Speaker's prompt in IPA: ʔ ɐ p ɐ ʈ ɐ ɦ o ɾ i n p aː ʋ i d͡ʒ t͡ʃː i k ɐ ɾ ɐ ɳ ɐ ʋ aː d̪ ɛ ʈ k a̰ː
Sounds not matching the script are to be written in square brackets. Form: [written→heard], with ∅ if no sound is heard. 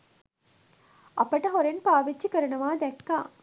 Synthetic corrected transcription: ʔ ɐ p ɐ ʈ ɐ ɦ o ɾ [i→e] n p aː ʋ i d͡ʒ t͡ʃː i k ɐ ɾ ɐ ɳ ɐ ʋ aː d̪ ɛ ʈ k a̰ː

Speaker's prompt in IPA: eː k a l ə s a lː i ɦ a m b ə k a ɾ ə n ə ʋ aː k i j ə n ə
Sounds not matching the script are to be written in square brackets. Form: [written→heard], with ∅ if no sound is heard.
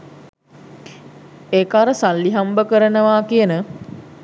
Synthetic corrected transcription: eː k a [l→ɾ] ə s a lː i ɦ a m b ə k [a→ə] ɾ ə n ə ʋ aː k i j ə n ə

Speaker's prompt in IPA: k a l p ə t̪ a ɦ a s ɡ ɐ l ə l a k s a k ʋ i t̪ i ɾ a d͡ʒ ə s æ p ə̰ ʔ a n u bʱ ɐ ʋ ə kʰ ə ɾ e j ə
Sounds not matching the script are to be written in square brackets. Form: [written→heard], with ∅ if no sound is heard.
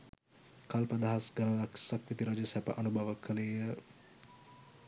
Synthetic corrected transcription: k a l p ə [t̪→d̪] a ɦ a s ɡ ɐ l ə l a k s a k ʋ i t̪ i ɾ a d͡ʒ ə s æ p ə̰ ʔ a n u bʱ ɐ ʋ ə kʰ ə [ɾ→l] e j ə

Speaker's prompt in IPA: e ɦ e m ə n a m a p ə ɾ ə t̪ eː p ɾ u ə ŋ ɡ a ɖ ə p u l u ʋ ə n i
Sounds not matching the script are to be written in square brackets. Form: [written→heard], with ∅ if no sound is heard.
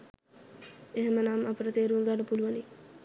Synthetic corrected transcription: e ɦ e m ə n a m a p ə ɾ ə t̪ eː [p→∅] ɾ u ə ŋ ɡ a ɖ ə p u l u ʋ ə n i

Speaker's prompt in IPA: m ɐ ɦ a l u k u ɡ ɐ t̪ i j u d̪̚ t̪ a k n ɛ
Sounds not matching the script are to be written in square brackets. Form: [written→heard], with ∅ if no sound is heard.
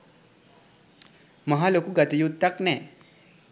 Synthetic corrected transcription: m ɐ ɦ a l [u→o] k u ɡ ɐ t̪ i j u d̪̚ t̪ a k n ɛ

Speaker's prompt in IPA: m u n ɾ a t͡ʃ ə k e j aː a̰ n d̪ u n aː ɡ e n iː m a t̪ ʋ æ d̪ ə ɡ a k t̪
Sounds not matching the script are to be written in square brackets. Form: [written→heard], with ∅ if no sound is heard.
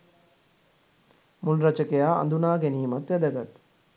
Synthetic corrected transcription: m u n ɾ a t͡ʃ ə k e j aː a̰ n d̪ u n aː ɡ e n iː m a t̪ ʋ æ d̪ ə ɡ a [k→∅] t̪

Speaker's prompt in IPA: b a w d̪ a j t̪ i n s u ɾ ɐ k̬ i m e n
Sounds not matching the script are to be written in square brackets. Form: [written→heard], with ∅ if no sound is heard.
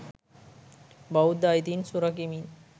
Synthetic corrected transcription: b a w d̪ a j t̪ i n s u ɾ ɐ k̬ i m [e→i] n

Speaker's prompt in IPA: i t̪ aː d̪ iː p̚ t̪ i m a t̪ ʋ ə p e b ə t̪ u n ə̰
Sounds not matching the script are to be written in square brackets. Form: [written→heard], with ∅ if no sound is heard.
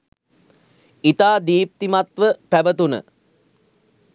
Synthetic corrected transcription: i t̪ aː d̪ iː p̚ t̪ i m a t̪ ʋ ə p [e→æ] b ə t̪ u n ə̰

